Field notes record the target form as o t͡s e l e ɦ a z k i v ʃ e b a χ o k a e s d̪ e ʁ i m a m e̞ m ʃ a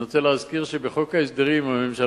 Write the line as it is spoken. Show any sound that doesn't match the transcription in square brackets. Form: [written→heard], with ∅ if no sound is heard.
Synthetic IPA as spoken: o t͡s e l e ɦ a z k i [v→ʁ] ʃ e b [a→e] χ o k a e s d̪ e ʁ i m a m e̞ m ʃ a